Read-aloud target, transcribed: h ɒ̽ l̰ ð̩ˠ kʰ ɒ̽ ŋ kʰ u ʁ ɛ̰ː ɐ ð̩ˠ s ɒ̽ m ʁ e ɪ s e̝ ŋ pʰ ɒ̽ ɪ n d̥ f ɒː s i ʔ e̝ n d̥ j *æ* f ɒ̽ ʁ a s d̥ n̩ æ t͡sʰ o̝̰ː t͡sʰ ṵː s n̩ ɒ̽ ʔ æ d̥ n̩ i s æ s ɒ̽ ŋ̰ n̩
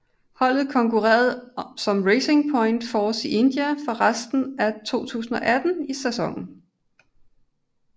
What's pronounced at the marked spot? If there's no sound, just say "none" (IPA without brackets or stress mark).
æ